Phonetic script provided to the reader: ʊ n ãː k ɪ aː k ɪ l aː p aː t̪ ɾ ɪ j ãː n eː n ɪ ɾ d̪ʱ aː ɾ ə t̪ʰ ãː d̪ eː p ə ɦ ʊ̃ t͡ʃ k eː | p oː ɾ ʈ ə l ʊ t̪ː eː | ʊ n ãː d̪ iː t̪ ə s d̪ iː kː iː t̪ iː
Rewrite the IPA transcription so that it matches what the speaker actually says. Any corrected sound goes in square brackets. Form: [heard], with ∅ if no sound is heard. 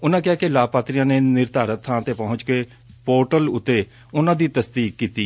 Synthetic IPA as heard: ʊ n ãː k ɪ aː k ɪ l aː p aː t̪ ɾ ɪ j ãː n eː n ɪ ɾ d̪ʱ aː ɾ ə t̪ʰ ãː [t̪] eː p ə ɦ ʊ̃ t͡ʃ k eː | p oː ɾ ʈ ə l ʊ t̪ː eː | ʊ n ãː d̪ iː t̪ ə s d̪ iː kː iː t̪ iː